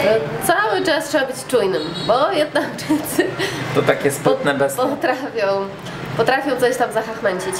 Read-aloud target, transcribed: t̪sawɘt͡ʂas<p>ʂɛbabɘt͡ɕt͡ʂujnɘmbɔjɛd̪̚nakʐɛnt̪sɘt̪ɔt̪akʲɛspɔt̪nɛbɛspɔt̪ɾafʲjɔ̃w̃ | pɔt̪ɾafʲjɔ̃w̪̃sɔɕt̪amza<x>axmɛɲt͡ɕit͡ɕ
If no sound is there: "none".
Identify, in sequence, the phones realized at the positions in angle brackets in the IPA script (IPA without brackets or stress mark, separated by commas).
t, x